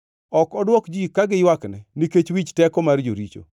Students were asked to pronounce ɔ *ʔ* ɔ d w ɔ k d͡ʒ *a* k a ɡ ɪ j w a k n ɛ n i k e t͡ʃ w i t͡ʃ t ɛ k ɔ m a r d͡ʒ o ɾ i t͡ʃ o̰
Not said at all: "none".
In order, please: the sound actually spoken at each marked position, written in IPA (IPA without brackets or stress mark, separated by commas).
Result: k, i